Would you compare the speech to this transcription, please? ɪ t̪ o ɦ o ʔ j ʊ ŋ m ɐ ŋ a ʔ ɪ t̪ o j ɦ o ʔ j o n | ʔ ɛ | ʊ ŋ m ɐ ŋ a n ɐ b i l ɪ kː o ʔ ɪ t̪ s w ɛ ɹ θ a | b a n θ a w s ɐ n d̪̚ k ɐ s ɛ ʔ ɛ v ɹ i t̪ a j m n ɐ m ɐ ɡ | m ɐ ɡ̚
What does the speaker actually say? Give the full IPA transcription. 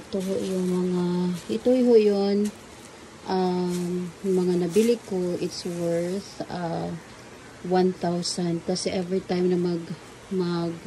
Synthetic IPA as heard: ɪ t̪ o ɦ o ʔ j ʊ ŋ m ɐ ŋ a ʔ ɪ t̪ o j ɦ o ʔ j o n | ʔ a | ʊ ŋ m ɐ ŋ a n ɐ b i l ɪ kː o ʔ ɪ t̪ s w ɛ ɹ θ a | w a n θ a w s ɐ n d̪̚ k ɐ s ɛ ʔ ɛ v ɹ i t̪ a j m n ɐ m ɐ ɡ | m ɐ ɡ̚